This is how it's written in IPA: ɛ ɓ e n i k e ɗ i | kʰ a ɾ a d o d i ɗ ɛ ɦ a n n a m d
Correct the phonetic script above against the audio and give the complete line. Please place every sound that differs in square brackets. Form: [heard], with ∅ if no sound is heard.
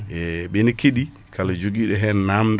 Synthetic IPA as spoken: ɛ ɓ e n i k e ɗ i | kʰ a [l] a [d͡ʒ] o [ɡ] i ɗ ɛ ɦ [ɛ] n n a m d